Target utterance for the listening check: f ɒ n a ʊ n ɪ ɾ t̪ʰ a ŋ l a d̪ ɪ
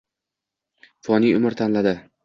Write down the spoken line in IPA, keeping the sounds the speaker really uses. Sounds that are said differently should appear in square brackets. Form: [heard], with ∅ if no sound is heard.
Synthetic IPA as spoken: f ɒ n [i] ʊ [m] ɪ ɾ t̪ʰ a [n] l a d̪ ɪ